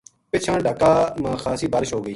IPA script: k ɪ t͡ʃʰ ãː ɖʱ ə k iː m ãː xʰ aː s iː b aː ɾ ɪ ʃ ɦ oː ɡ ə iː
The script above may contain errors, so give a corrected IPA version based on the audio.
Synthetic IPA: p ɪ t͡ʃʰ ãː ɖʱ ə k aː m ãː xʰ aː s iː b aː ɾ ɪ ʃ ɦ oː ɡ ə iː